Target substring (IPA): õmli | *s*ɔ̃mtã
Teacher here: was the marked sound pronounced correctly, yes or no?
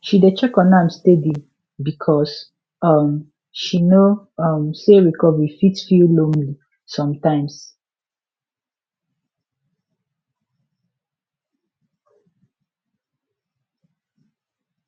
yes